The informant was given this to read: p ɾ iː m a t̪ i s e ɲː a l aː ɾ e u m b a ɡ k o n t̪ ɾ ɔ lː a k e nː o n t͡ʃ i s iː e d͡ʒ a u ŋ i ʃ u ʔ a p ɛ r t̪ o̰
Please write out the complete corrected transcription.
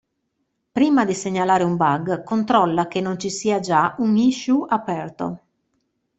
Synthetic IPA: p ɾ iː m a d̪ i s e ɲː a l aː ɾ e u m b a ɡ k o n t̪ ɾ ɔ lː a k e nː o n t͡ʃ i s iː a d͡ʒ a u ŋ i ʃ u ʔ a p ɛ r t̪ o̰